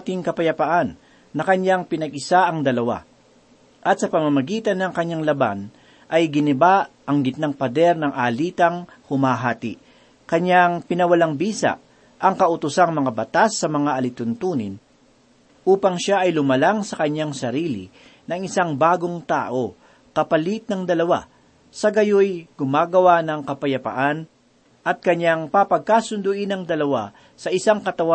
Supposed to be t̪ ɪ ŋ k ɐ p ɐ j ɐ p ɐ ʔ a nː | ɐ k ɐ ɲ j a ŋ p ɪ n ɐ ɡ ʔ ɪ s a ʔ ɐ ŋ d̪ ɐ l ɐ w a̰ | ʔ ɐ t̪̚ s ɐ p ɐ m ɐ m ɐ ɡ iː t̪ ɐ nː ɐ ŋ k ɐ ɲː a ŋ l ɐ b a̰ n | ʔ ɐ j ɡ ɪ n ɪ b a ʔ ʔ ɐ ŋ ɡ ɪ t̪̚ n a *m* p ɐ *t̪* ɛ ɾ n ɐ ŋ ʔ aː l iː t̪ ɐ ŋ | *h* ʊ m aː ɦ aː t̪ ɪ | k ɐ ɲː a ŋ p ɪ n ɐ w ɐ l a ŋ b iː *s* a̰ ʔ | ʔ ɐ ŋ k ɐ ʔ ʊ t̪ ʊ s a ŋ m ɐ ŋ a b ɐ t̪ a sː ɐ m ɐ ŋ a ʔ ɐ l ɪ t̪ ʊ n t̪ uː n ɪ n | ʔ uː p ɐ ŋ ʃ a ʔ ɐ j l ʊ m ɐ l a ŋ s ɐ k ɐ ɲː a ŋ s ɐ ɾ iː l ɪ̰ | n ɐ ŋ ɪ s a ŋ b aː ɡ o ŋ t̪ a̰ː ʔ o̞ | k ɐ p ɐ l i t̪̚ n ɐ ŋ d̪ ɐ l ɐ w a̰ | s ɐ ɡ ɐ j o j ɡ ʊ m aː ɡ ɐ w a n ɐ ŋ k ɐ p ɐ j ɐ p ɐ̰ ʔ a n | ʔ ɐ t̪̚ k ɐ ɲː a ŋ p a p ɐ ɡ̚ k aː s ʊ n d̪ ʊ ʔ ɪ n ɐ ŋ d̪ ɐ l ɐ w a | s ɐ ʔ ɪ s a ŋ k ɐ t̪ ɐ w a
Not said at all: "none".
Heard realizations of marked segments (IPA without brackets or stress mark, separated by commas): ŋ, d̪, h, s